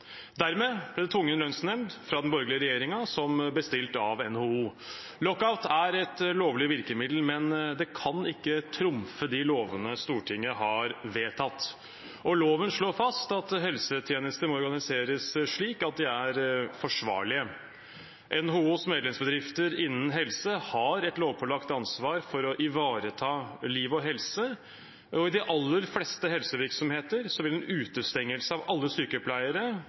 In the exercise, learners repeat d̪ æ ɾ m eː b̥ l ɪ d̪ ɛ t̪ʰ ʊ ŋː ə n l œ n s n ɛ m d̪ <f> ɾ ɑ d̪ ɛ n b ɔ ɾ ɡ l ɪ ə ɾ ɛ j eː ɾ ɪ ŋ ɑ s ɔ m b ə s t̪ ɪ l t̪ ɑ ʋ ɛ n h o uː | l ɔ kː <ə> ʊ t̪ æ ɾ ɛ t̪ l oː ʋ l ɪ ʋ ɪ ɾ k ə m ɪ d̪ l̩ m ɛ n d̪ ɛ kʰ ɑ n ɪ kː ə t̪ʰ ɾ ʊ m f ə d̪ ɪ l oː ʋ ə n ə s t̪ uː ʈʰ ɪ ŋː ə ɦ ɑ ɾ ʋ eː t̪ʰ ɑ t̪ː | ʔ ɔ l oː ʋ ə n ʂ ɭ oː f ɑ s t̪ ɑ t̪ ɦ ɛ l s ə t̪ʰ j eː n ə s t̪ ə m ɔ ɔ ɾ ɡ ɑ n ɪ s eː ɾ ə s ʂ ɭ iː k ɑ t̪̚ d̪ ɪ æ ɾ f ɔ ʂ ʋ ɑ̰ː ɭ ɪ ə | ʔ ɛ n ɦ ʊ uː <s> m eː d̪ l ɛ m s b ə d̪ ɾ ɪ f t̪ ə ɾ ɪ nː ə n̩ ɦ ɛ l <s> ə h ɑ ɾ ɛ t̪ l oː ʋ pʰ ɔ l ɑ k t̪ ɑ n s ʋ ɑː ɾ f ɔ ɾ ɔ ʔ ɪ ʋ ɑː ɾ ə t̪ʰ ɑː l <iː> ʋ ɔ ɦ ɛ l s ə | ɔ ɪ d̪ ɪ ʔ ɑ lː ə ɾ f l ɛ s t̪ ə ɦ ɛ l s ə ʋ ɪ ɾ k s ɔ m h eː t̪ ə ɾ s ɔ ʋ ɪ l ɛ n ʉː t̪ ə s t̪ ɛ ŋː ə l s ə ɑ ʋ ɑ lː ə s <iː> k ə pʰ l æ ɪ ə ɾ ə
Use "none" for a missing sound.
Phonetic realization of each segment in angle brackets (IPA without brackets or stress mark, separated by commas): f, a, s, s, iː, yː